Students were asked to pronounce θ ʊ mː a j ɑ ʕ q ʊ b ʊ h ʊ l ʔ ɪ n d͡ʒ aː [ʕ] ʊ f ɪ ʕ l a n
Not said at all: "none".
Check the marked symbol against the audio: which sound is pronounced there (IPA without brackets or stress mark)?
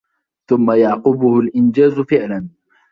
z